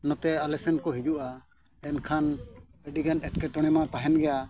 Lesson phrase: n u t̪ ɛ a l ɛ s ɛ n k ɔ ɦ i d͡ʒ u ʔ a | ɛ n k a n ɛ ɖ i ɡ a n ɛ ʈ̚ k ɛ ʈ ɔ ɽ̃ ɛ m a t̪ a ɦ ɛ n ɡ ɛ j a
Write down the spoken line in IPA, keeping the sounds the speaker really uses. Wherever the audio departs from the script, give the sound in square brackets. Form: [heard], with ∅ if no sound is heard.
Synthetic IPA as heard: n [ɔ] t̪ ɛ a l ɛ s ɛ n k ɔ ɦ i d͡ʒ u ʔ a | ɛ n [kʰ] a n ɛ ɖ i ɡ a n ɛ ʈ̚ k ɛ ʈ ɔ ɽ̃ ɛ m a t̪ a ɦ ɛ n ɡ ɛ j a